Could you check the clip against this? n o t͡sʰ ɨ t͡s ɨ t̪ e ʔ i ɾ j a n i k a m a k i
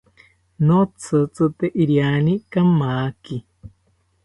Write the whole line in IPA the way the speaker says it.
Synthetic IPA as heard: n o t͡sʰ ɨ t͡s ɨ t̪ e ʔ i ɾ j a n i k a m a k i